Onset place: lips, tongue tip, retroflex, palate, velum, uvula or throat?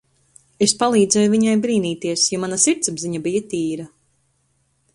tongue tip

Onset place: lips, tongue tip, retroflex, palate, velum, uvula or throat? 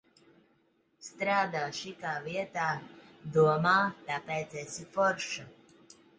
tongue tip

